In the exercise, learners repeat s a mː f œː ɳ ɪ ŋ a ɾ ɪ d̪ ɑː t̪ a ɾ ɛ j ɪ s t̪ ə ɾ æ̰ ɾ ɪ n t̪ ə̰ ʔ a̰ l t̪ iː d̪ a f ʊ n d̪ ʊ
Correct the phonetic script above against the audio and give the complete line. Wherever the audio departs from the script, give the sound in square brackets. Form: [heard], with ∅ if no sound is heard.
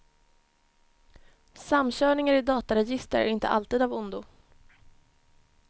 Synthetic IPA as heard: s a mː [ɕ] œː ɳ ɪ ŋ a ɾ ɪ d̪ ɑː t̪ a ɾ ɛ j ɪ s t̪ ə ɾ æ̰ ɾ ɪ n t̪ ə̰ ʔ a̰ l t̪ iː d̪ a [v] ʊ n d̪ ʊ